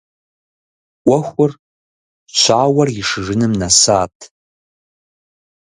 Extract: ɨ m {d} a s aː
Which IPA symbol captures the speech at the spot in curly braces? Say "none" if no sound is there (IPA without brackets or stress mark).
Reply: n